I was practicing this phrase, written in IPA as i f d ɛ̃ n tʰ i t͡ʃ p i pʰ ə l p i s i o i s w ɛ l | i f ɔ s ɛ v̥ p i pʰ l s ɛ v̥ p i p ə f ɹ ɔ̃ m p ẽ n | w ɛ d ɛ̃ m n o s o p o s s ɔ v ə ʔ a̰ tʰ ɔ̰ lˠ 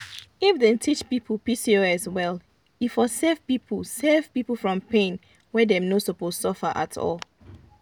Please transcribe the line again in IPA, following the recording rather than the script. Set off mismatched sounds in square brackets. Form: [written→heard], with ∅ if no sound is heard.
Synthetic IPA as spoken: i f d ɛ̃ n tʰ i t͡ʃ p i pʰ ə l p i s i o [i→ɛ] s w ɛ l | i f ɔ s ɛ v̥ p i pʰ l s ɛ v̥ p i p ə f ɹ ɔ̃ m p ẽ n | w ɛ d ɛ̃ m n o s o p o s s ɔ [v→f] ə ʔ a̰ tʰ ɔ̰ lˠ